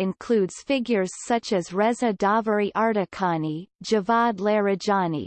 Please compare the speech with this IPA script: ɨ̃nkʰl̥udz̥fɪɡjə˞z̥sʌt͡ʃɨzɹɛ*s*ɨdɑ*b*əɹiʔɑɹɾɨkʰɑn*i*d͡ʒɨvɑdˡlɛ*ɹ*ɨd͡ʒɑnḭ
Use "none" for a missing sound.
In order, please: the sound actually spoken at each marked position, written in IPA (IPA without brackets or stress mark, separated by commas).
z, v, i, ɹ